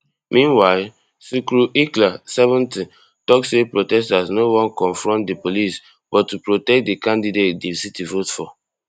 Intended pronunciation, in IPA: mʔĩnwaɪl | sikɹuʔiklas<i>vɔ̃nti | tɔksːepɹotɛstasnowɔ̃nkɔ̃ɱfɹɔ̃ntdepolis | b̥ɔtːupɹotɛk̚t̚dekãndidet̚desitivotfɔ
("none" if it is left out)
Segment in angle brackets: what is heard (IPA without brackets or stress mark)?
ɛ